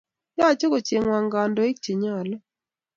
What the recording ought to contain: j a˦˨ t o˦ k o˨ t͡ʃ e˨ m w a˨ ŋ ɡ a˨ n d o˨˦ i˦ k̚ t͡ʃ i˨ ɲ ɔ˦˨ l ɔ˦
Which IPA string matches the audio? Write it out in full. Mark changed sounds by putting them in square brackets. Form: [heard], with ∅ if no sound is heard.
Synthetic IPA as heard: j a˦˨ [t͡ʃ] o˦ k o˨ t͡ʃ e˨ [ŋ] w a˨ ŋ ɡ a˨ n d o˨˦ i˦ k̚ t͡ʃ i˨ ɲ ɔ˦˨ l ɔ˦

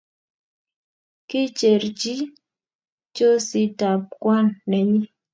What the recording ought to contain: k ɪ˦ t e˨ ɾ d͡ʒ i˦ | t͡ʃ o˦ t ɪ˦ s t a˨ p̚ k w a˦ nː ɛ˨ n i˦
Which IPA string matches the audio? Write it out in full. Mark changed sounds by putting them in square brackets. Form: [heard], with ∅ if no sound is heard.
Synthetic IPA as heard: k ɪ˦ [t͡ʃ] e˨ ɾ d͡ʒ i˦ | t͡ʃ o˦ [s] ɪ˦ [∅] t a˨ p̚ k w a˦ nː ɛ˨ [ɲ] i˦

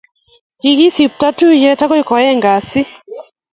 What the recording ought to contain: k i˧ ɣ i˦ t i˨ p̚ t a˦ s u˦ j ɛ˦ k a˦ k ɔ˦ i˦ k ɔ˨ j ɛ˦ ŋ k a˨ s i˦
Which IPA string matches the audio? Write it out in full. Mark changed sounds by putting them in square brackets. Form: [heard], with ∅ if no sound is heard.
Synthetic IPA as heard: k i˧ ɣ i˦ [s] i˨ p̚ t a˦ [t] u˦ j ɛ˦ [t] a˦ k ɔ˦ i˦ k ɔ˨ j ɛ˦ ŋ [ɡ] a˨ s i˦

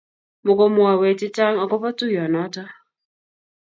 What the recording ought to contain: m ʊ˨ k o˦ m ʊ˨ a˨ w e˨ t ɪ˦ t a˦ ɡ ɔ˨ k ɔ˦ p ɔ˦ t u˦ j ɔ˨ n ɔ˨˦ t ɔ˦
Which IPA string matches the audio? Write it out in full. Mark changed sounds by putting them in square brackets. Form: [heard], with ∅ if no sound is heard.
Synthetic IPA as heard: m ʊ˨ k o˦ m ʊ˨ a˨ w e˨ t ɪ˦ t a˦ [ŋ] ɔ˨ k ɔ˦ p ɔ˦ t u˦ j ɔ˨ n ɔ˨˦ t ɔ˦

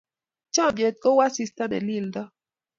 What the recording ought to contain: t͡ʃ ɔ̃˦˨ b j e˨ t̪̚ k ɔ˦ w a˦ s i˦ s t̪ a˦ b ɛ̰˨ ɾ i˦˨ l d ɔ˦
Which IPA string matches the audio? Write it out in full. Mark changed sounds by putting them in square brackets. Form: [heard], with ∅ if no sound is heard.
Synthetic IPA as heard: t͡ʃ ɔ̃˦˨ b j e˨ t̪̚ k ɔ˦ w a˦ s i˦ s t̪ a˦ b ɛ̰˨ [l] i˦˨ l d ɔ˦

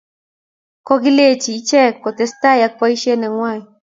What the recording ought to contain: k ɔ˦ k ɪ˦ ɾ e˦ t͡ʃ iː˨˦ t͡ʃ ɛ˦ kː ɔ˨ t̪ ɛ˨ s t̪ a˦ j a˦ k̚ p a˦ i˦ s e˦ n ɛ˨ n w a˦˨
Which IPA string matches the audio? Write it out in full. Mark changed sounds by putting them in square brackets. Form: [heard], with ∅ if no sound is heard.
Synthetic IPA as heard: k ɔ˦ [ɡ] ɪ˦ [l] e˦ t͡ʃ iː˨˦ t͡ʃ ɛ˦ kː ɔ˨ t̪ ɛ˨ s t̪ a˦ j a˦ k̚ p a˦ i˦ [ʃ] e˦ n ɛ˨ [ŋ] w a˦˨

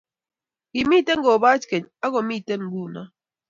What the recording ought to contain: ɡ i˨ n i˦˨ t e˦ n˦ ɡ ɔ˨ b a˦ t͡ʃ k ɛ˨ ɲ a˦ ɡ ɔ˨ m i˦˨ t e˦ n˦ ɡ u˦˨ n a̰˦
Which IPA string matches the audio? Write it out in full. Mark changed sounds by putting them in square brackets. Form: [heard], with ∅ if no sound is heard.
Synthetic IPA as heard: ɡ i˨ [m] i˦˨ t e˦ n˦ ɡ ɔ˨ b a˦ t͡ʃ k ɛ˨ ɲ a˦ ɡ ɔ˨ m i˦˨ t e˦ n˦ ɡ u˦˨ n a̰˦

